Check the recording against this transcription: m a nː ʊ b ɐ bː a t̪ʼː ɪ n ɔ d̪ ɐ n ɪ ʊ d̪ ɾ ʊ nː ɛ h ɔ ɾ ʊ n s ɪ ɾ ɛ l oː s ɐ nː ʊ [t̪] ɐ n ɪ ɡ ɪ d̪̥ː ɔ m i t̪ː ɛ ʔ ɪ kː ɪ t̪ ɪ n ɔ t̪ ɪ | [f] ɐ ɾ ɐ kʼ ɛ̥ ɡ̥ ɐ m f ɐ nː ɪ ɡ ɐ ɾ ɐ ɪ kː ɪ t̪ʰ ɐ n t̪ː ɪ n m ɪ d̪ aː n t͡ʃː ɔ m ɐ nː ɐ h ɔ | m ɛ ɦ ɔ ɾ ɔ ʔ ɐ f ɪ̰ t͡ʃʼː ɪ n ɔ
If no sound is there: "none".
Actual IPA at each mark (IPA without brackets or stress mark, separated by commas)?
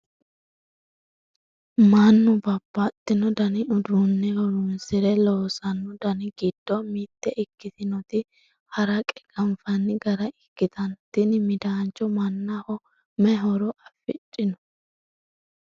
d̪, h